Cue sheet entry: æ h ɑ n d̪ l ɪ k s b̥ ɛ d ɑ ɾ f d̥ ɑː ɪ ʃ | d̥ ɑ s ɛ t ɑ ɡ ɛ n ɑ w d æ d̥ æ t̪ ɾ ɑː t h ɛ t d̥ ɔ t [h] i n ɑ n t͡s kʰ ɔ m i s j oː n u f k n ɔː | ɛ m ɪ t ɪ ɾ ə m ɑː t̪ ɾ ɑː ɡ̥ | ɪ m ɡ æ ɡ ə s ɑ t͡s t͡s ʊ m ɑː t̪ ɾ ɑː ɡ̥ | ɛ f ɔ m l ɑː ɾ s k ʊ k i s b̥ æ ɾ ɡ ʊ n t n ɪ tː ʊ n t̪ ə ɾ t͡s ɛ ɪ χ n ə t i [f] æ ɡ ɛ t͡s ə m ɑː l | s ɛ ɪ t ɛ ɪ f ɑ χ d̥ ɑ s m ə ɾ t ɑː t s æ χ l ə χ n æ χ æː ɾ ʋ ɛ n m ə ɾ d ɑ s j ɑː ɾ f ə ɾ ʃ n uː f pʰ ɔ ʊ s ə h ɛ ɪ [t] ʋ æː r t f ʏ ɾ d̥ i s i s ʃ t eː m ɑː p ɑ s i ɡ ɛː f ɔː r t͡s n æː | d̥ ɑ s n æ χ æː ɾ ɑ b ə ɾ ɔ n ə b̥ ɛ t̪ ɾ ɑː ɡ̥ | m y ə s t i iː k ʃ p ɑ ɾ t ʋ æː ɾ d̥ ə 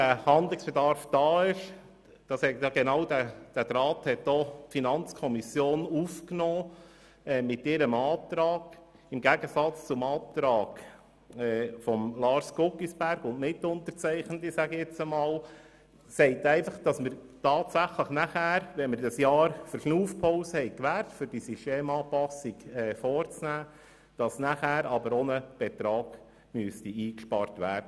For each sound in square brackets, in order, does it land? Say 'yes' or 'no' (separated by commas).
no, no, no